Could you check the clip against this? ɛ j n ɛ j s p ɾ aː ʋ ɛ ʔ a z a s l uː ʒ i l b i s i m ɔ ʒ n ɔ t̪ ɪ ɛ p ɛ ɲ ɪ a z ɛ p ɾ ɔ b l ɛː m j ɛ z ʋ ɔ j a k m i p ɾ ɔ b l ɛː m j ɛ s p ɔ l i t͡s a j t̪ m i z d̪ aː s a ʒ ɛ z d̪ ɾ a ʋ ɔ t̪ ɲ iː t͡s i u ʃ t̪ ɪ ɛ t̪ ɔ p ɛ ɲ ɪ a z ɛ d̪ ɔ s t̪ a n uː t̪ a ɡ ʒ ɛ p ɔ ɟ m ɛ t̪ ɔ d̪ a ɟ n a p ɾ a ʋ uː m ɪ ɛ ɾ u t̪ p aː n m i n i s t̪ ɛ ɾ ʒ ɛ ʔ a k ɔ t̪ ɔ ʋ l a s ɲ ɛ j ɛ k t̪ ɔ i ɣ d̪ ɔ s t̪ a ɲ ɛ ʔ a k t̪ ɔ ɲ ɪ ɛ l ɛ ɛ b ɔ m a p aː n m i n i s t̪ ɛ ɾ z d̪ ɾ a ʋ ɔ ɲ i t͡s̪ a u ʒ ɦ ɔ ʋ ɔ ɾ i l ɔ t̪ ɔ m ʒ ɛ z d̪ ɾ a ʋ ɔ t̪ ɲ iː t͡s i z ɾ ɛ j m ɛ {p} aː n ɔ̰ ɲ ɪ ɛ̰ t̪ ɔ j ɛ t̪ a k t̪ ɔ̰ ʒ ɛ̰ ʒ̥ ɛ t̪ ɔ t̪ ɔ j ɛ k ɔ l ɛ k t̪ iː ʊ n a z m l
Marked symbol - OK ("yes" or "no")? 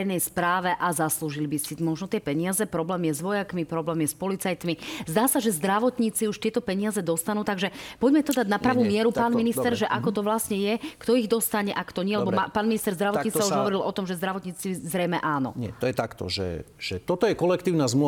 no